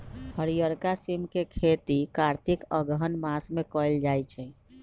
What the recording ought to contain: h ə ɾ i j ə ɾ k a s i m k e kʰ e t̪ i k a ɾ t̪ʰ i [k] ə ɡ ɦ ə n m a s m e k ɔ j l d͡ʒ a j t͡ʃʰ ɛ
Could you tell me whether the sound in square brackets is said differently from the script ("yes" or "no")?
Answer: no